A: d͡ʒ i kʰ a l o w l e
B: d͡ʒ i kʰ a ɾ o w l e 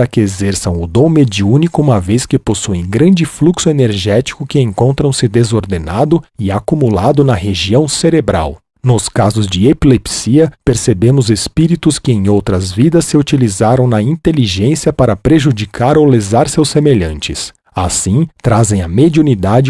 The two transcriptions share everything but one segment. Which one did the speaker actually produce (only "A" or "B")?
B